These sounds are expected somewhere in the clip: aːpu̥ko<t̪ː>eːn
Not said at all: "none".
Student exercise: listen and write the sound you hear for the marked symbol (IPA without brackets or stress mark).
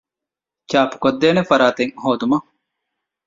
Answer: d̪ː